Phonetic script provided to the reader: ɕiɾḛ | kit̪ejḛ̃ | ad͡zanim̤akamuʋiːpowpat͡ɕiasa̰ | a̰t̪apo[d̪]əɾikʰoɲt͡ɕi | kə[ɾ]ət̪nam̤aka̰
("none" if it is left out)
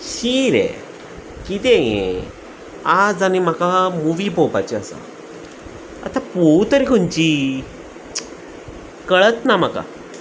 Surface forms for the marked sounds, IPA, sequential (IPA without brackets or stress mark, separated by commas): t̪, ɭ